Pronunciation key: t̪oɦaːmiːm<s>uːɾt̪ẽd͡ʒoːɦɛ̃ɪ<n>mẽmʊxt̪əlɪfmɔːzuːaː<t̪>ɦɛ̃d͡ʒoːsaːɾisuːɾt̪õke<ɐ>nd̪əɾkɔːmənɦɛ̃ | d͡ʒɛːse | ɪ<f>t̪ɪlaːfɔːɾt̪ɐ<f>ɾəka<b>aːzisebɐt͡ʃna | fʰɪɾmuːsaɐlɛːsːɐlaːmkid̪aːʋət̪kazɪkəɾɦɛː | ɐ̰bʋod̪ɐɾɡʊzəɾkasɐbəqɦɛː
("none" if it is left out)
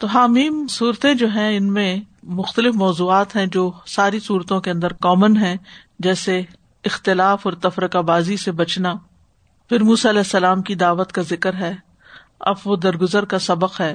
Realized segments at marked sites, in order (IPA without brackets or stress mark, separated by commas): s, n, t̪, ɐ̃, x, f, b